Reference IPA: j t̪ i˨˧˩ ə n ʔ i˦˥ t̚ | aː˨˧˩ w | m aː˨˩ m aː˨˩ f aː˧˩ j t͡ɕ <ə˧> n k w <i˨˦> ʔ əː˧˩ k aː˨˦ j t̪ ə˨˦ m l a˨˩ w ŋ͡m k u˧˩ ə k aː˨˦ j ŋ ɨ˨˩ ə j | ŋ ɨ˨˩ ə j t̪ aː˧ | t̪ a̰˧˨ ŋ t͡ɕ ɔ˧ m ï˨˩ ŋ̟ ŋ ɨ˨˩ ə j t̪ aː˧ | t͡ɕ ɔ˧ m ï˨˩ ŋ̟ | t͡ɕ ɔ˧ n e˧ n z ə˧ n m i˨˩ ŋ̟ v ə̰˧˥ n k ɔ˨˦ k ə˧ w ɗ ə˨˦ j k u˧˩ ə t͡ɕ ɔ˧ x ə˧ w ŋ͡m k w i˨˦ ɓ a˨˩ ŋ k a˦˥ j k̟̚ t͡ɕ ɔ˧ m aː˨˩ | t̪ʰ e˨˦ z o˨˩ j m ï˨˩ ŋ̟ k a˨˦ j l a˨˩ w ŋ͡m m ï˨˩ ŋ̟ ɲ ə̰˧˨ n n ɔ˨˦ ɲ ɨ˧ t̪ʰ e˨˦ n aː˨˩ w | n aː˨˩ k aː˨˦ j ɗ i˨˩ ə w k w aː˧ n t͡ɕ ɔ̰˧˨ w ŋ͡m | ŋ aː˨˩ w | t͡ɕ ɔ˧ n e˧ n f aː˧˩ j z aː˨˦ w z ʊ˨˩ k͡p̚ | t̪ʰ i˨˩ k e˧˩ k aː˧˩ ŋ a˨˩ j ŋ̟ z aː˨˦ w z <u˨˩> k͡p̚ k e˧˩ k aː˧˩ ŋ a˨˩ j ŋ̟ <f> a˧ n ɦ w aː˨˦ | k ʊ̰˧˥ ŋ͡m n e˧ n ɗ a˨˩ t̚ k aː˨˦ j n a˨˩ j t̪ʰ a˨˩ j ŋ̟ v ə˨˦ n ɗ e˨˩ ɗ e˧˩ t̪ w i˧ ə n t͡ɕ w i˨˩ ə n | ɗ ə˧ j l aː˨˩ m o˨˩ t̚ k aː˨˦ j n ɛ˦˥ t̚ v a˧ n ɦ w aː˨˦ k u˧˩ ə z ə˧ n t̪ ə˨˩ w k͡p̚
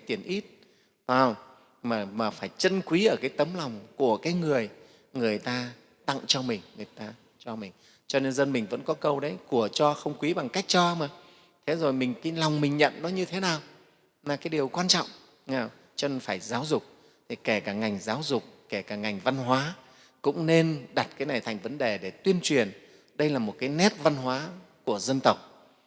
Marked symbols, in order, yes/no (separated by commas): yes, yes, no, no